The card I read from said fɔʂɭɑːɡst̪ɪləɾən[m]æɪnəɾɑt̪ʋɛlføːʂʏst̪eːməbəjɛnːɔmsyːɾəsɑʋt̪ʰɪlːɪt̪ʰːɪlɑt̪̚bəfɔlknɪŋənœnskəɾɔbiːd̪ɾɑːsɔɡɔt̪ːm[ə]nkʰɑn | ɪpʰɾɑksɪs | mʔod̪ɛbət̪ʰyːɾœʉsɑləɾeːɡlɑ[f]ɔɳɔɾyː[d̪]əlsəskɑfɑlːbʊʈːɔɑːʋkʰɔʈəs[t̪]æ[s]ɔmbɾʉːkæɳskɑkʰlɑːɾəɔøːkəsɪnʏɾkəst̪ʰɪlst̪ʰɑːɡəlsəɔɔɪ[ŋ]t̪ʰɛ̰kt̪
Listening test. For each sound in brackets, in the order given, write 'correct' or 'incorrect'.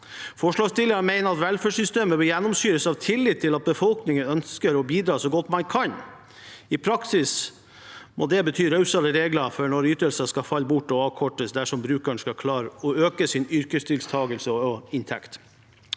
correct, incorrect: ɑ, correct, incorrect: t̪, incorrect: d̪, incorrect: ʂ, incorrect: n

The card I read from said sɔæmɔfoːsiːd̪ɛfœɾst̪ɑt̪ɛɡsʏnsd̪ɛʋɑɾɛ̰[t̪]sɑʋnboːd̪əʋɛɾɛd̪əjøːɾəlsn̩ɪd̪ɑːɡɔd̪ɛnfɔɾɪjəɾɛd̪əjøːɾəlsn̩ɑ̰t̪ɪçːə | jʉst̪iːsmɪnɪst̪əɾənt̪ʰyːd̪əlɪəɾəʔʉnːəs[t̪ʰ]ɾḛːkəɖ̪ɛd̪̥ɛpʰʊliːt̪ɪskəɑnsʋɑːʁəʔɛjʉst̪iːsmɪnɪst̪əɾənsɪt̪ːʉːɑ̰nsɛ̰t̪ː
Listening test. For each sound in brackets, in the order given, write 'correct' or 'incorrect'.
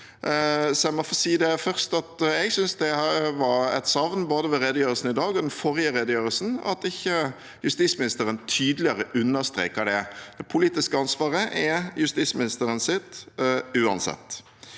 correct, incorrect: t̪

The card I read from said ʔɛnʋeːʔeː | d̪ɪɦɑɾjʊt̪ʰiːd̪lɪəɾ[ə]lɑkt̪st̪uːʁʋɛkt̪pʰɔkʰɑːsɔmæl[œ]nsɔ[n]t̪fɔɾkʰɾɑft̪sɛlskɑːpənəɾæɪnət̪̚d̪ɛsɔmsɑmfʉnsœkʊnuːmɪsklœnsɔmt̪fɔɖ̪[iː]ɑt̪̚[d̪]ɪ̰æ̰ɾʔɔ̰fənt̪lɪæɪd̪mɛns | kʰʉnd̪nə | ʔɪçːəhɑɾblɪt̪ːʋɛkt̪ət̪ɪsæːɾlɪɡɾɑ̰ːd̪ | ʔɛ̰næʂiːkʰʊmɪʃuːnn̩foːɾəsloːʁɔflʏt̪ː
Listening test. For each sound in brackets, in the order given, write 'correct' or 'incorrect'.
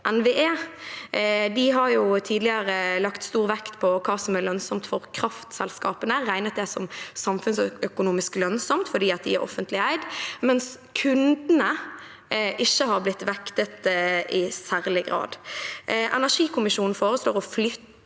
correct, correct, incorrect: m, correct, correct

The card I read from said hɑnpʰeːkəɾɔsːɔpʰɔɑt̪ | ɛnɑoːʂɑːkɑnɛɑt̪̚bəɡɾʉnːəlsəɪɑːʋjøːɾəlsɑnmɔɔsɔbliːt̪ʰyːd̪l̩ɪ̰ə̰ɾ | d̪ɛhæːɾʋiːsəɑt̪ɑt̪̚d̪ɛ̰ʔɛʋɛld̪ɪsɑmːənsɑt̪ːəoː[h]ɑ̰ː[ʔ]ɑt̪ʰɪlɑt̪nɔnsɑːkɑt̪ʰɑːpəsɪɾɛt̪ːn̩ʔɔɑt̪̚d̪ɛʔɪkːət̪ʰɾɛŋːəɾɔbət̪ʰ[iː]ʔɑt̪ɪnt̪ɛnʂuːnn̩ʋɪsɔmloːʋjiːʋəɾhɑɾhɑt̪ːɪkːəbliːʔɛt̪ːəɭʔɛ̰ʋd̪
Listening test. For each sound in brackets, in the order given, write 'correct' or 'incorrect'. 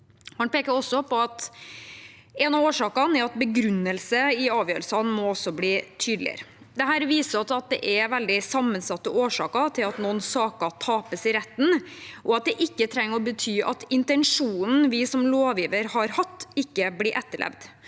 incorrect: ʂ, incorrect: k, incorrect: yː

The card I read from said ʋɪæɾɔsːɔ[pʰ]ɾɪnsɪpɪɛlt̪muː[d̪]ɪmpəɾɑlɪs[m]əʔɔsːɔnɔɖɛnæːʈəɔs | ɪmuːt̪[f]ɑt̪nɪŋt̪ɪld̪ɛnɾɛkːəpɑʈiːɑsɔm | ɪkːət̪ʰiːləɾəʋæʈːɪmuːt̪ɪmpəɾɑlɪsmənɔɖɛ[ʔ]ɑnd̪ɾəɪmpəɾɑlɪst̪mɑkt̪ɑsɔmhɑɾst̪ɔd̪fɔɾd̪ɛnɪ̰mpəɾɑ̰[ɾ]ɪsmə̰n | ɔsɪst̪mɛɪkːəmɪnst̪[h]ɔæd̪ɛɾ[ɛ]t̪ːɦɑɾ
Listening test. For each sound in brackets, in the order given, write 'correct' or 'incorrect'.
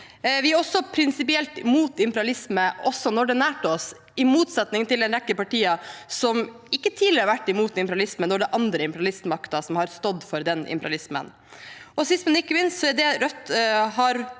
correct, incorrect: t̪, correct, incorrect: s, correct, incorrect: l, incorrect: s, incorrect: œ

